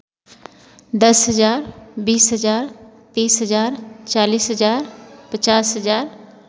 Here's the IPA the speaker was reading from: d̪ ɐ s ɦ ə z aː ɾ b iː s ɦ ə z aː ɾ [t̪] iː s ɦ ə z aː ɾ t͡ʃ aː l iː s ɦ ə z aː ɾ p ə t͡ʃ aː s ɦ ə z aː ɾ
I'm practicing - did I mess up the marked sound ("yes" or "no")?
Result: no